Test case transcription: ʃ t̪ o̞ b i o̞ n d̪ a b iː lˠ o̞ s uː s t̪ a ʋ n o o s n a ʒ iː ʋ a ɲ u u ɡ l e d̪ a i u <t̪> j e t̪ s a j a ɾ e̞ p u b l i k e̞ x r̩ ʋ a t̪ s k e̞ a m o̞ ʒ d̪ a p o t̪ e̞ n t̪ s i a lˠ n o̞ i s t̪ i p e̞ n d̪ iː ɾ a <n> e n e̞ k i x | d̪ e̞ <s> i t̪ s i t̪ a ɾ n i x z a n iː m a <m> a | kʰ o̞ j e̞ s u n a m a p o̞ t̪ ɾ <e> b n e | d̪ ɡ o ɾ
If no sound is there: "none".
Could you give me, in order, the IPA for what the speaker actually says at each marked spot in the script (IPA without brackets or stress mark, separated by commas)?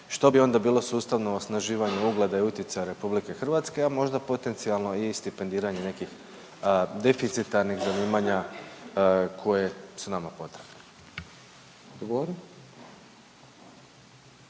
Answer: t̪, ɲ, f, ɲ, e